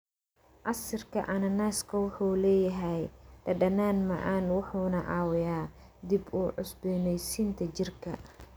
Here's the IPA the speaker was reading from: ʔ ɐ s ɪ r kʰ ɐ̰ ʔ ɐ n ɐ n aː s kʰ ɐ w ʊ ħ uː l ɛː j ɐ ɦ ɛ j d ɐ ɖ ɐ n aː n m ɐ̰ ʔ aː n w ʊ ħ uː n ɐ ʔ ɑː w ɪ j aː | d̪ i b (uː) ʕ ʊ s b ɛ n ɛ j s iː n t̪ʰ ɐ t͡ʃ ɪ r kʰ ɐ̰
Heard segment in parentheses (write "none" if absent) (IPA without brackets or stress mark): uː